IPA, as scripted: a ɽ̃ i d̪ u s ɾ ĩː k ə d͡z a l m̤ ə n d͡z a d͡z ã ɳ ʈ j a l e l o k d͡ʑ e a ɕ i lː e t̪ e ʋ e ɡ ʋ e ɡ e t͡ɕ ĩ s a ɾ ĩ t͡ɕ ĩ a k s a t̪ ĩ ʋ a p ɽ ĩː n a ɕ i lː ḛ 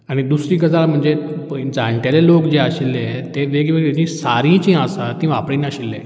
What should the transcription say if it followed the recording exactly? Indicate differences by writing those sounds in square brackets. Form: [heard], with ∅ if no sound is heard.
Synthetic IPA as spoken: a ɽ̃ i d̪ u s ɾ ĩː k ə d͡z a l m̤ ə [ɳ] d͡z [e] d͡z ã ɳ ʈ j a l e l o k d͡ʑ e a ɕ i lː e t̪ e ʋ e ɡ ʋ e ɡ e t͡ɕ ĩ s a ɾ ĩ t͡ɕ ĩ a [∅] s a t̪ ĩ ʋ a p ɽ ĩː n a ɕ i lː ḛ